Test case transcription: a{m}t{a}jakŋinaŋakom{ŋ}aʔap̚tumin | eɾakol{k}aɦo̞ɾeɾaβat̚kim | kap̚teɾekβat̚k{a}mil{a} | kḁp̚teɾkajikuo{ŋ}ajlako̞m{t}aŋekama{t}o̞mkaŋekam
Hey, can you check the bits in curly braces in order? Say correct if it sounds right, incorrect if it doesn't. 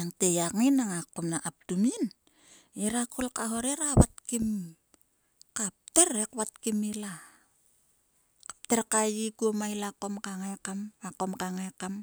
incorrect: ŋ, incorrect: e, incorrect: n, correct, incorrect: i, correct, incorrect: m, incorrect: k, incorrect: k

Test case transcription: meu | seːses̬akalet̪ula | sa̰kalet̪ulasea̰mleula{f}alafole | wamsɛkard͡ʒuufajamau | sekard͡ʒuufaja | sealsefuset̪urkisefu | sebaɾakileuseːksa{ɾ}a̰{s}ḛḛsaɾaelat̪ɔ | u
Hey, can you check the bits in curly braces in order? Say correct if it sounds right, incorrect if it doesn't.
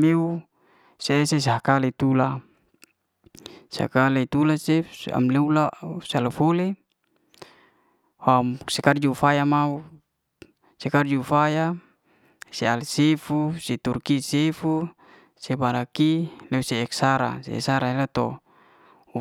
incorrect: s, correct, correct

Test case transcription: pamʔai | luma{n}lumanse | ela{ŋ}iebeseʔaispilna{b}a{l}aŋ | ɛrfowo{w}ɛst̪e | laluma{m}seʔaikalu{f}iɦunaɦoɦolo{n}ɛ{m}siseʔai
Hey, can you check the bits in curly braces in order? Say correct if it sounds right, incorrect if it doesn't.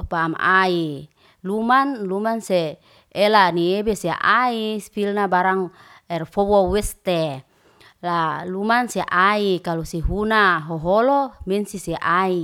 correct, incorrect: n, correct, incorrect: ɾ, correct, incorrect: n, incorrect: s, incorrect: m, incorrect: n

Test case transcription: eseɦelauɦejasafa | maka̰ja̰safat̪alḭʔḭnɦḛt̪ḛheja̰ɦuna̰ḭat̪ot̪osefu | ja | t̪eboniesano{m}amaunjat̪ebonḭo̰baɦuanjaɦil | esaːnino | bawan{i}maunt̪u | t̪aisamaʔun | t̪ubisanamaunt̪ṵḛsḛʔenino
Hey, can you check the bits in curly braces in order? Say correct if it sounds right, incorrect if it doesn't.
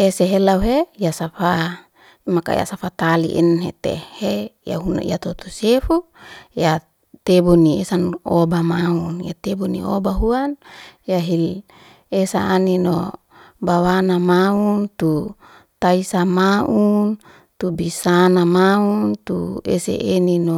incorrect: b, incorrect: a

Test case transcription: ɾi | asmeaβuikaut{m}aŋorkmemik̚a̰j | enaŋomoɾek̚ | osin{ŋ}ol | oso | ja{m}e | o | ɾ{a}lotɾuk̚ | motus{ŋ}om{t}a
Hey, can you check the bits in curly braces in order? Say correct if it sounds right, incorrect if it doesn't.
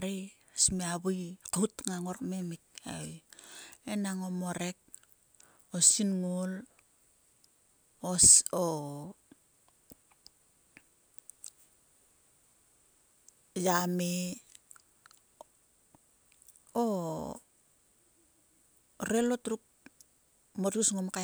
incorrect: ŋ, correct, correct, incorrect: e, correct, incorrect: k

